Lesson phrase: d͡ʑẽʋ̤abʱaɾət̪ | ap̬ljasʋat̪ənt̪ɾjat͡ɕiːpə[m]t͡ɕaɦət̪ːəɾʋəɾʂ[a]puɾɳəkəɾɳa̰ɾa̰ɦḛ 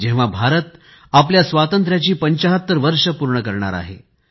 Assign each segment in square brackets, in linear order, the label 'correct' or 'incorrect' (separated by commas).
incorrect, incorrect